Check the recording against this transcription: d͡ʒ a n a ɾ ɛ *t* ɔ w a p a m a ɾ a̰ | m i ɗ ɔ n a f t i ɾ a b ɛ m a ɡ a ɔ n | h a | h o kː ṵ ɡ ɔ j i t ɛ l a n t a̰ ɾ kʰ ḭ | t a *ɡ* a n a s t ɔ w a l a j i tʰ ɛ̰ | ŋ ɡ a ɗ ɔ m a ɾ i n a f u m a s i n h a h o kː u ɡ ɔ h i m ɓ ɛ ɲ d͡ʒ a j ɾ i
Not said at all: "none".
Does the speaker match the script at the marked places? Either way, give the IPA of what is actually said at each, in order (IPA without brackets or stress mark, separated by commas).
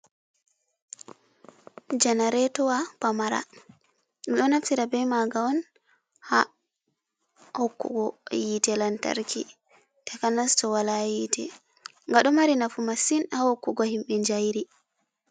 t, k